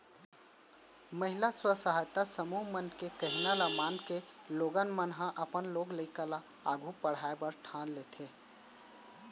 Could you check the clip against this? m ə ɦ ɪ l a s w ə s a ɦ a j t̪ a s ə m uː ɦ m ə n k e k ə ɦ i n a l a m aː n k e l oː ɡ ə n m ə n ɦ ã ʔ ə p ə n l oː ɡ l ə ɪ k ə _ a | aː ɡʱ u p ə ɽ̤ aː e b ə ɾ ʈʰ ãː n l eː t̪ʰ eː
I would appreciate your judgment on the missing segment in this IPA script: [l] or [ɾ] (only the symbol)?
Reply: l